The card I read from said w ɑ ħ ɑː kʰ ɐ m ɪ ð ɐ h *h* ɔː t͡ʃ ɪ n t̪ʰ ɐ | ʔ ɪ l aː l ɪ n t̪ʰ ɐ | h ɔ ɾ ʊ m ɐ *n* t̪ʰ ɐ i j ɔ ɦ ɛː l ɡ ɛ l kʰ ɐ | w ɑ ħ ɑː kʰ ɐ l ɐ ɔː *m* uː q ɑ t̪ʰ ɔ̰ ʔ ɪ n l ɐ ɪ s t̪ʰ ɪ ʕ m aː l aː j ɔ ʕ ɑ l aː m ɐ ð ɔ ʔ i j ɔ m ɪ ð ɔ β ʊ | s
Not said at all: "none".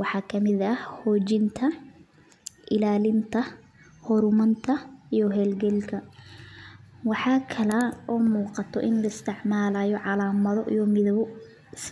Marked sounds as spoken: h, n, m

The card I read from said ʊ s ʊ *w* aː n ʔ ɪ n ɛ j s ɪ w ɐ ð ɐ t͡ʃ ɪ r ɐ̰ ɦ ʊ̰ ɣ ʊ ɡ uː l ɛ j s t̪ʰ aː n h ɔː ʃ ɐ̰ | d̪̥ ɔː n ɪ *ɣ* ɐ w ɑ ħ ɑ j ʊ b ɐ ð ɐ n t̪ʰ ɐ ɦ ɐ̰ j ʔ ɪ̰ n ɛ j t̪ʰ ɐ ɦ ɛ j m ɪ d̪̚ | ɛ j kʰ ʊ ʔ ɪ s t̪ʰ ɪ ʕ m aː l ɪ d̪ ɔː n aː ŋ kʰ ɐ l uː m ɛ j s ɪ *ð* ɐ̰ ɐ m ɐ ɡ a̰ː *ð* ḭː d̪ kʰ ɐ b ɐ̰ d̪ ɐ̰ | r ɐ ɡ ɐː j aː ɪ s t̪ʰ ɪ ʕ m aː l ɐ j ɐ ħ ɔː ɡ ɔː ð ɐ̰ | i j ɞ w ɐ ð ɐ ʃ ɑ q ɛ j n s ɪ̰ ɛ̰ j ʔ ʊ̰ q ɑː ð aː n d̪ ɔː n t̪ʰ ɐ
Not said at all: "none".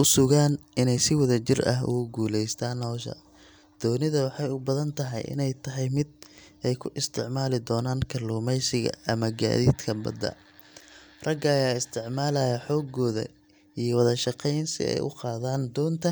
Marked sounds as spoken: ɣ, ð, ɣ, ð

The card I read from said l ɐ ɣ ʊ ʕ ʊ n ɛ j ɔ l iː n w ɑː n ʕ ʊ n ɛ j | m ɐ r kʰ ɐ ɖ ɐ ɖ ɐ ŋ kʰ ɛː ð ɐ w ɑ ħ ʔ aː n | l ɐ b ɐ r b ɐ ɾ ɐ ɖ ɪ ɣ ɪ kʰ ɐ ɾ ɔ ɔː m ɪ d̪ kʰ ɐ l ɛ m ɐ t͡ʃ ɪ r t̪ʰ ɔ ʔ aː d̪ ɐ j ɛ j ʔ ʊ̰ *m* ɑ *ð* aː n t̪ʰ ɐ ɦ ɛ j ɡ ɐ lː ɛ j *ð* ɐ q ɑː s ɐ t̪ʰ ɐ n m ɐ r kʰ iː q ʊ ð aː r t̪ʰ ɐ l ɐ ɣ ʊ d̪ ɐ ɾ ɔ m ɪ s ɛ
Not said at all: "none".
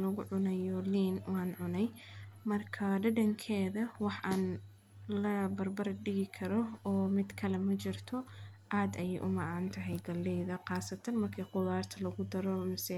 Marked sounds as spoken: m, ʕ, ð

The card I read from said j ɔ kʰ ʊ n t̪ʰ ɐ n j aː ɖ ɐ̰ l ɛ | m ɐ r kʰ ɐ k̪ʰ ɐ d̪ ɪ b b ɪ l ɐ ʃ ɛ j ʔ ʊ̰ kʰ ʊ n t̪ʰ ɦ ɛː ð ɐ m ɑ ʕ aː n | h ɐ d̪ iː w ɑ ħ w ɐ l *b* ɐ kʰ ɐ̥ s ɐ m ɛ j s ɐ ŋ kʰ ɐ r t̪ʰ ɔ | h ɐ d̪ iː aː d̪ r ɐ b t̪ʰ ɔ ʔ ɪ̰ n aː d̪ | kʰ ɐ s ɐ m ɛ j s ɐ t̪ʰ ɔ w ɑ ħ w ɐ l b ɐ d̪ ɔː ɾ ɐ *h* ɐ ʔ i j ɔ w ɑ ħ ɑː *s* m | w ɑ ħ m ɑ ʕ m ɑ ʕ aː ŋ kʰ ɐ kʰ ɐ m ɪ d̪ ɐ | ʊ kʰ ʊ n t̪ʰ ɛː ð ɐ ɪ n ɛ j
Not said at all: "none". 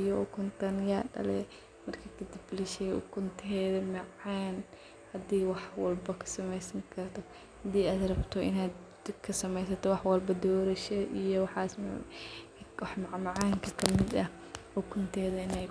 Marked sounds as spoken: b, ʃ, s

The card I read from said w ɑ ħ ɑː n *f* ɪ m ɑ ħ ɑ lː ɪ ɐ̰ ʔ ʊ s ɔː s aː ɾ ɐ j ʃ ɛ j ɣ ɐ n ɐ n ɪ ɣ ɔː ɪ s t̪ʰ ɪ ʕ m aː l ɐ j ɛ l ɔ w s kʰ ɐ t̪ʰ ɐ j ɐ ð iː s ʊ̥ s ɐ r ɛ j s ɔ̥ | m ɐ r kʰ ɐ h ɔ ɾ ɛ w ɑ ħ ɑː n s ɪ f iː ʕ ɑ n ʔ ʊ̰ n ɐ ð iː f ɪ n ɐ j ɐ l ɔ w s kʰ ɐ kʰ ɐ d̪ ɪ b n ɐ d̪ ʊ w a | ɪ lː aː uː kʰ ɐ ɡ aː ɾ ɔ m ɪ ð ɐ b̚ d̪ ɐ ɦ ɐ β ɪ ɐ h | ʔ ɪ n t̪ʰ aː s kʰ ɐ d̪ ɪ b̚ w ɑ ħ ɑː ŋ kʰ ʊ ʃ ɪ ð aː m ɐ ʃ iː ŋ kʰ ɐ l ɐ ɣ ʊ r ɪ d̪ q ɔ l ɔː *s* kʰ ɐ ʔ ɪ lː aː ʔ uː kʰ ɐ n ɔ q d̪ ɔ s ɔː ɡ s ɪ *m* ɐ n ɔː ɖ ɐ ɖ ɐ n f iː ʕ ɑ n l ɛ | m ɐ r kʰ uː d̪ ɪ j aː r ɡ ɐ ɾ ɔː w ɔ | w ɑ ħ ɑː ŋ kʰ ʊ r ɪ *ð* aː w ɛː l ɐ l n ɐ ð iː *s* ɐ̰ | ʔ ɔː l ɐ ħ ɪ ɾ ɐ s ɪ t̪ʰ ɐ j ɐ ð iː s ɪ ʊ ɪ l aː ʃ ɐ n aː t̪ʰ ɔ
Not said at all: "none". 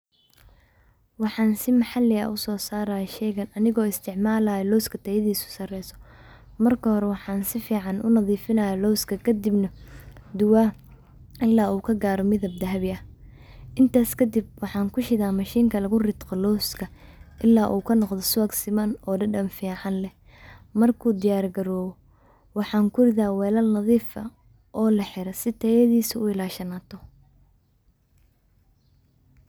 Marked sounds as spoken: s, s, m, ð, f

